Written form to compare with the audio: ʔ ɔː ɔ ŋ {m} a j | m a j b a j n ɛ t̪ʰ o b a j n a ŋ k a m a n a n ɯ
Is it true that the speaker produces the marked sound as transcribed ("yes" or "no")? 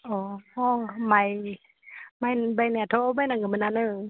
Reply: yes